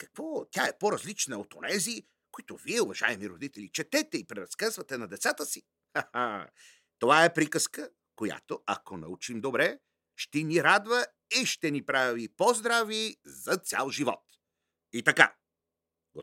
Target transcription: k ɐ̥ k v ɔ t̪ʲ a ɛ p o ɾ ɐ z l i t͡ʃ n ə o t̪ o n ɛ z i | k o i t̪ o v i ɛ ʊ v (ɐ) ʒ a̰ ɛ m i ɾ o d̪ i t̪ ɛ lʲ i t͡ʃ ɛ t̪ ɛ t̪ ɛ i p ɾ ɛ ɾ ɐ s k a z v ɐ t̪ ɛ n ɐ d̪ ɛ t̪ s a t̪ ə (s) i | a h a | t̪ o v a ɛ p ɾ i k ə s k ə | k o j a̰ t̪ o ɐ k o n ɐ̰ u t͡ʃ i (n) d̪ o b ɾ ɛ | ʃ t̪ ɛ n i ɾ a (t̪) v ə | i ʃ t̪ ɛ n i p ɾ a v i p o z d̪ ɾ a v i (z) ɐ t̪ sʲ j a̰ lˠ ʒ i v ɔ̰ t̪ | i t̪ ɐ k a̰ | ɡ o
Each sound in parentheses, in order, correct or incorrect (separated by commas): correct, correct, incorrect, incorrect, correct